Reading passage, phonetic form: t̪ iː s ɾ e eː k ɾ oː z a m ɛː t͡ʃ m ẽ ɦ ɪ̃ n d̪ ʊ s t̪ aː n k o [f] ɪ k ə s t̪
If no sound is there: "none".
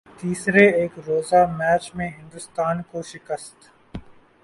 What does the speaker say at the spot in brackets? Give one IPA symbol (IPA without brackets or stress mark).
ʃ